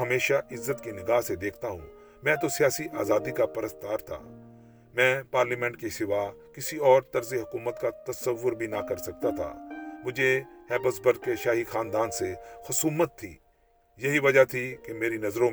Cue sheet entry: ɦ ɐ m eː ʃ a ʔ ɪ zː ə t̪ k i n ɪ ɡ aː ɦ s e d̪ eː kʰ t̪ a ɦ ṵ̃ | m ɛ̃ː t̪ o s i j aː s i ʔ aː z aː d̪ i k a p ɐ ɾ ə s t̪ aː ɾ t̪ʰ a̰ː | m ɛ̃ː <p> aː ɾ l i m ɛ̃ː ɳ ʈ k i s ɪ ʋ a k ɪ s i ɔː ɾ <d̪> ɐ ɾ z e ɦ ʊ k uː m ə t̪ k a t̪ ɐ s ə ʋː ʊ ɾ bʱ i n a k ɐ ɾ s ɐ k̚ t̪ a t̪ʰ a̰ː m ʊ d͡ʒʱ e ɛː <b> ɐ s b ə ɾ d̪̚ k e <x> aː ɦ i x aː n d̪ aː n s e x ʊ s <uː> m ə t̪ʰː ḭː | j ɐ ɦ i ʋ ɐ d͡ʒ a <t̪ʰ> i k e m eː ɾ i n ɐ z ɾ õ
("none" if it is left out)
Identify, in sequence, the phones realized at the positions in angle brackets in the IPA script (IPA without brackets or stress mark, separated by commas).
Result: p, t̪, b, ʃ, uː, t̪ʰ